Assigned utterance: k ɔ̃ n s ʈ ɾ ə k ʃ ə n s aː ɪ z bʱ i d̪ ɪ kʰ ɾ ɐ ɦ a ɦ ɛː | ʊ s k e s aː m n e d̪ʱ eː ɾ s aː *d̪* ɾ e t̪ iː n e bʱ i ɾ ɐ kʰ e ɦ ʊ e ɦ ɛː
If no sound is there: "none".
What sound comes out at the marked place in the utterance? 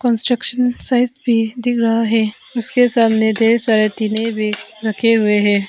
none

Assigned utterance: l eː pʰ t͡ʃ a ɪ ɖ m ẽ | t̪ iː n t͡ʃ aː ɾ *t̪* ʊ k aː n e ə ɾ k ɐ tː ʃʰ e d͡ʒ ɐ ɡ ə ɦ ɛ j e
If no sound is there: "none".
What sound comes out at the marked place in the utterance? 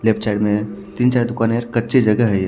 d̪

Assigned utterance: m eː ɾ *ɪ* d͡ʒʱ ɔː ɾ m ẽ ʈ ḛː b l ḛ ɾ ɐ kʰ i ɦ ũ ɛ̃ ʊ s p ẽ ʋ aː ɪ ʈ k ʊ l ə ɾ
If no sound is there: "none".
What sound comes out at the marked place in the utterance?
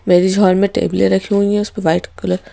i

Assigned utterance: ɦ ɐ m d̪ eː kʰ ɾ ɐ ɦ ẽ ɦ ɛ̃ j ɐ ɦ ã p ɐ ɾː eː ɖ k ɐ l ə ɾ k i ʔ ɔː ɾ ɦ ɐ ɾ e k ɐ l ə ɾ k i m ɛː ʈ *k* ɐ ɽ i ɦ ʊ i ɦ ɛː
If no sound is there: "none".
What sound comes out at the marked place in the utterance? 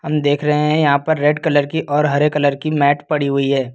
p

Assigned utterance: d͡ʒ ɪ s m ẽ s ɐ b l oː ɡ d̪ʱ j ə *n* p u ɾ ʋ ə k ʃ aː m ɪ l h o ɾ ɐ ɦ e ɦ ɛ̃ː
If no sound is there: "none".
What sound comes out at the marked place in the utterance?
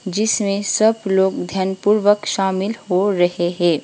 n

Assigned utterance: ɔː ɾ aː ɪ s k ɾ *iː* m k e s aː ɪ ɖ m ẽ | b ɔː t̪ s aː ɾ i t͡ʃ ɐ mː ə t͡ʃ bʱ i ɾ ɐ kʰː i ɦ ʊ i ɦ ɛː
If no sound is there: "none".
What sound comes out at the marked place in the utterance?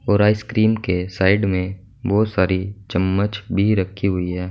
iː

